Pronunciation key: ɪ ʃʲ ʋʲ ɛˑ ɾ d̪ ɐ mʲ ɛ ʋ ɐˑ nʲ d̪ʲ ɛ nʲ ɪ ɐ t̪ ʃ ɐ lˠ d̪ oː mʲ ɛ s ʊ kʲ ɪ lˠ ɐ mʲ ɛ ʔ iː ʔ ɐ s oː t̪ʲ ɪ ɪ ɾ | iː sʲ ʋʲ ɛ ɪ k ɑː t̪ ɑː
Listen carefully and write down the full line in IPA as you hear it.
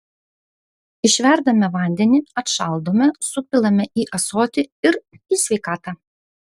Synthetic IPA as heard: ɪ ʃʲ ʋʲ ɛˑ ɾ d̪ ɐ mʲ ɛ ʋ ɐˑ nʲ d̪ʲ ɛ nʲ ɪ ɐ t̪ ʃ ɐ lˠ d̪ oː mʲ ɛ s ʊ pʲ ɪ lˠ ɐ mʲ ɛ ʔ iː ʔ ɐ s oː t̪ʲ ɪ ɪ ɾ | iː sʲ ʋʲ ɛ ɪ k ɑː t̪ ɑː

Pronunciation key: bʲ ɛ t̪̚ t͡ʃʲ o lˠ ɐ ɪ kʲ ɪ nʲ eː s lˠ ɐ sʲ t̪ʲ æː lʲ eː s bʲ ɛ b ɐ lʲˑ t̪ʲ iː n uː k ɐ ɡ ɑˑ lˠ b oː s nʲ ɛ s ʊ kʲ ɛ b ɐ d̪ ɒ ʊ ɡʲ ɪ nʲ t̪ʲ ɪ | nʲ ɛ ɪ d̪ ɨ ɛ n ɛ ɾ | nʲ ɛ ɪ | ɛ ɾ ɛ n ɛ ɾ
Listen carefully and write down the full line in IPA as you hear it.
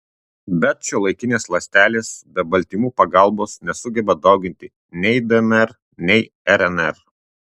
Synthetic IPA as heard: bʲ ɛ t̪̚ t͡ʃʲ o lˠ ɐ ɪ kʲ ɪ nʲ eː s lˠ ɐ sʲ t̪ʲ æː lʲ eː s bʲ ɛ b ɐ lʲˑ t̪ʲ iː m uː p ɐ ɡ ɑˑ lˠ b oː s nʲ ɛ s ʊ ɡʲ ɛ b ɐ d̪ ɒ ʊ ɡʲ ɪ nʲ t̪ʲ ɪ | nʲ ɛ ɪ d̪ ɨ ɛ n ɛ ɾ | nʲ ɛ ɪ | ɛ ɾ ɛ n ɛ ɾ

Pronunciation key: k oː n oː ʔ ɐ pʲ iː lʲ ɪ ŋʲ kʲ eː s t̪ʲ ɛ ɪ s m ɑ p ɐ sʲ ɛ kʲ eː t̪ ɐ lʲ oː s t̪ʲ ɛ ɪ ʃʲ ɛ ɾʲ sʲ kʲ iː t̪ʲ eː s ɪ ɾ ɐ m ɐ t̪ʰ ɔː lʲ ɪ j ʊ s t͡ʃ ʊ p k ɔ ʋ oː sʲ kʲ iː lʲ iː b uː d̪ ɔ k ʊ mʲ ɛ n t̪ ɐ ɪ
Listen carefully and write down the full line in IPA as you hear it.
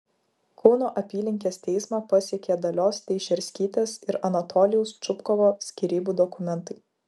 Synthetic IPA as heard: k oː n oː ʔ ɐ pʲ iː lʲ ɪ ŋʲ kʲ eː s t̪ʲ ɛ ɪ s m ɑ p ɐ sʲ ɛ kʲ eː d̪ ɐ lʲ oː s t̪ʲ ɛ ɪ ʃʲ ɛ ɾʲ sʲ kʲ iː t̪ʲ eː s ɪ ɾ ɐ n ɐ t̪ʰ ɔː lʲ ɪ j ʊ s t͡ʃ ʊ p k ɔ ʋ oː sʲ kʲ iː ɾʲ iː b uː d̪ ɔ k ʊ mʲ ɛ n t̪ ɐ ɪ

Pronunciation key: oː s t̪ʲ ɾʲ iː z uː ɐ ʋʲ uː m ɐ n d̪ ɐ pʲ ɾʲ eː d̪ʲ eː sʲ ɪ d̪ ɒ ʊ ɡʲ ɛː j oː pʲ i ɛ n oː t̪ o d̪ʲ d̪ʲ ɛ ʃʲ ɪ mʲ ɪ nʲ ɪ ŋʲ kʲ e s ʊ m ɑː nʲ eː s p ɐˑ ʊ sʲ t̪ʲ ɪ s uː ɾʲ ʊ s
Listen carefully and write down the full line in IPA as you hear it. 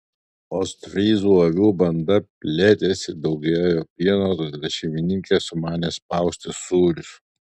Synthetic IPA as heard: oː s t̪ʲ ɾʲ iː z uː ɐ ʋʲ uː b ɐ n d̪ ɐ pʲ lʲ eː t̪ʲ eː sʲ ɪ d̪ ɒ ʊ ɡʲ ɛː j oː pʲ i ɛ n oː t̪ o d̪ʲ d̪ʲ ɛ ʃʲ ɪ mʲ ɪ nʲ ɪ ŋʲ kʲ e s ʊ m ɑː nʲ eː s p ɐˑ ʊ sʲ t̪ʲ ɪ s uː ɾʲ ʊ s

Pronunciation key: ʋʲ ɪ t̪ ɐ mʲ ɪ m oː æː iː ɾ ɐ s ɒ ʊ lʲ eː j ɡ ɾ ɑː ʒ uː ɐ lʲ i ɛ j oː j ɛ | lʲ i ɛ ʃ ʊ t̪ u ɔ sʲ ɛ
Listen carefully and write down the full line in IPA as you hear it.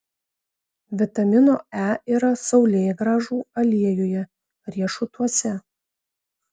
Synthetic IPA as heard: ʋʲ ɪ t̪ ɐ mʲ ɪ n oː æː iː ɾ ɐ s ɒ ʊ lʲ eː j ɡ ɾ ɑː ʒ uː ɐ lʲ i ɛ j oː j ɛ | ɾʲ i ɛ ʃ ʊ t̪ u ɔ sʲ ɛ

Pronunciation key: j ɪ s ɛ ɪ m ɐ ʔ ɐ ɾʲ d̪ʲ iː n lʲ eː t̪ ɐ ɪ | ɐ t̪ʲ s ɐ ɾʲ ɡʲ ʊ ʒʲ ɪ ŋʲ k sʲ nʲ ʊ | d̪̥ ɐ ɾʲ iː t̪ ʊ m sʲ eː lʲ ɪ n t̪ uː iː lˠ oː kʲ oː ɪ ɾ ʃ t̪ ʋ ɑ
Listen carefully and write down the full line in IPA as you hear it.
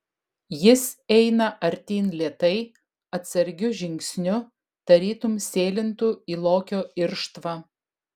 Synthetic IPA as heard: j ɪ s ɛ ɪ n ɐ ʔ ɐ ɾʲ t̪ʲ iː n lʲ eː t̪ ɐ ɪ | ɐ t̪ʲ s ɐ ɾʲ ɡʲ ʊ ʒʲ ɪ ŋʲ k sʲ nʲ ʊ | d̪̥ ɐ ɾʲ iː t̪ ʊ m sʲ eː lʲ ɪ n t̪ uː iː lˠ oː kʲ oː ɪ ɾ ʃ t̪ ʋ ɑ

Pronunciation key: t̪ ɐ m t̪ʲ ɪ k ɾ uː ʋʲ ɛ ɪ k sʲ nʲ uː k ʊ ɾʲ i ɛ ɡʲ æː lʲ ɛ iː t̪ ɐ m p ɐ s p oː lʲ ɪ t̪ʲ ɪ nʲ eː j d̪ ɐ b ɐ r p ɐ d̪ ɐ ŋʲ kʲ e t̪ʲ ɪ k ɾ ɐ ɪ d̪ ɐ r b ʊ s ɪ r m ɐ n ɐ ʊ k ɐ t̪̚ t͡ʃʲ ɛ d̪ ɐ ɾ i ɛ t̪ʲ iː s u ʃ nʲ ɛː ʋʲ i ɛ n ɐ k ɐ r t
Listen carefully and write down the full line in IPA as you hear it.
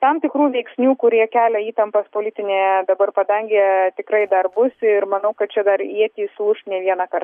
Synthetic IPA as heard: t̪ ɐ m t̪ʲ ɪ k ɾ uː ʋʲ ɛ ɪ k sʲ nʲ uː k ʊ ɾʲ i ɛ kʲ æː lʲ ɛ iː t̪ ɐ m p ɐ s p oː lʲ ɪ t̪ʲ ɪ nʲ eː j d̪ ɐ b ɐ r p ɐ d̪ ɐ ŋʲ ɡʲ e t̪ʲ ɪ k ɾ ɐ ɪ d̪ ɐ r b ʊ s ɪ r m ɐ n ɐ ʊ k ɐ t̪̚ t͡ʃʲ ɛ d̪ ɐ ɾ i ɛ t̪ʲ iː s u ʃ nʲ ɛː ʋʲ i ɛ n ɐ k ɐ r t

